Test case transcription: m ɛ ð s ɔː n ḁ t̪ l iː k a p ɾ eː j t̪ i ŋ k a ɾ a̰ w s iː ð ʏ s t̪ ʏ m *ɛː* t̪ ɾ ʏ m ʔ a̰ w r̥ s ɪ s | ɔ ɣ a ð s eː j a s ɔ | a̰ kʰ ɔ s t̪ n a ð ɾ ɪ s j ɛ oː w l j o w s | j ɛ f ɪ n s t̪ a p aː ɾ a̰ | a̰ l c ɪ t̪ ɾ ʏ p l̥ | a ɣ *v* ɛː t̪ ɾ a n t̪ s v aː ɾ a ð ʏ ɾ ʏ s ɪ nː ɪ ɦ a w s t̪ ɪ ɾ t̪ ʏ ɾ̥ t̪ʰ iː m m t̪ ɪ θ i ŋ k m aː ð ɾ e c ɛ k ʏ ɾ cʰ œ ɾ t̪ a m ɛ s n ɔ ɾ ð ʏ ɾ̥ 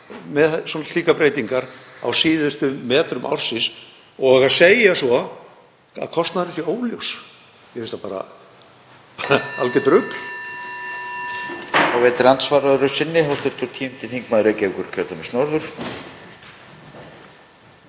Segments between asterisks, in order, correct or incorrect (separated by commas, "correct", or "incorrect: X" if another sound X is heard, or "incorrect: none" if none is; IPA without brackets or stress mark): correct, correct